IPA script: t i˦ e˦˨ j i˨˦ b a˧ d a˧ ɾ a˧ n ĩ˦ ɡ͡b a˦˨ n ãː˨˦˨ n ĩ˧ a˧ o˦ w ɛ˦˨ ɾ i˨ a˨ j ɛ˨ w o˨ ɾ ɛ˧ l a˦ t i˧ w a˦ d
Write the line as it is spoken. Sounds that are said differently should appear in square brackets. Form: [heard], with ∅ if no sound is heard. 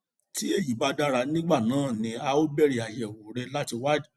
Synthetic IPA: t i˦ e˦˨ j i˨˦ b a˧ d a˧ ɾ a˧ n ĩ˦ ɡ͡b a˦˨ n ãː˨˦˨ n ĩ˧ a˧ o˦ [b] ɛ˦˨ ɾ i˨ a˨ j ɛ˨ w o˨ ɾ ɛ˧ l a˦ t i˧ w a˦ d